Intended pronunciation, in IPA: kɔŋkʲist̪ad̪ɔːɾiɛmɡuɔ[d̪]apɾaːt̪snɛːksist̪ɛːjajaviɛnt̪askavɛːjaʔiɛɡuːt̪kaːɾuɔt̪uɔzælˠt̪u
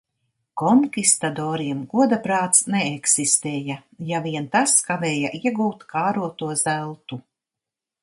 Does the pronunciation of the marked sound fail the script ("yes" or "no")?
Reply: no